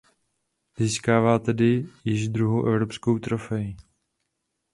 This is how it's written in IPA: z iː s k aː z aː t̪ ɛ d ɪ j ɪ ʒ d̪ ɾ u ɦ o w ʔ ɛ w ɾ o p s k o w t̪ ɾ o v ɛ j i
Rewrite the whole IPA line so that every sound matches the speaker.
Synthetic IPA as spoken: z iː s k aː v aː t̪ ɛ d ɪ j ɪ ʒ d̪ ɾ u ɦ o w ʔ ɛ v ɾ o p s k o w t̪ ɾ o f ɛ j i